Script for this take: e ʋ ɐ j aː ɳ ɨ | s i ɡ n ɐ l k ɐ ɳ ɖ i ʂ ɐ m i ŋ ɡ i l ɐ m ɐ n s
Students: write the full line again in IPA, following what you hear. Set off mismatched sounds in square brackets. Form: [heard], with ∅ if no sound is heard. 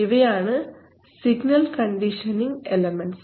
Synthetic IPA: [i] ʋ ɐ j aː ɳ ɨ | s i ɡ n ɐ l k ɐ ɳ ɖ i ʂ ɐ [n] i ŋ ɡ [e] l ɐ m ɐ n s